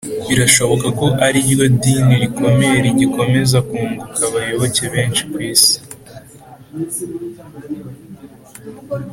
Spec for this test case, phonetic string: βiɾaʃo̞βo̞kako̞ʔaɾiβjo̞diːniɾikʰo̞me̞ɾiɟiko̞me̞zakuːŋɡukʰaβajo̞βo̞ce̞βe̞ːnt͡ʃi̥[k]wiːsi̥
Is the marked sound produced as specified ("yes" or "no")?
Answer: yes